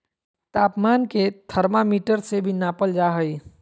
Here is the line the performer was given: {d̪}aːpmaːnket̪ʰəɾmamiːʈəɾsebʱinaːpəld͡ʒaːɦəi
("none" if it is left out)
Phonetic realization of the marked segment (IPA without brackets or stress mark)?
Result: t̪